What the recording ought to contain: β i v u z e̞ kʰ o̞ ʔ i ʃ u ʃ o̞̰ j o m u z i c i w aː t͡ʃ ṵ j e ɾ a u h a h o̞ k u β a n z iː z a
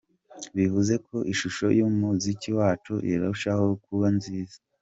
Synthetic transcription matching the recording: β i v u z e̞ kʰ o̞ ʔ i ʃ u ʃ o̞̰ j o m u z i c i w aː t͡ʃ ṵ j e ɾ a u ʃ a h o̞ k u β a n z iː z a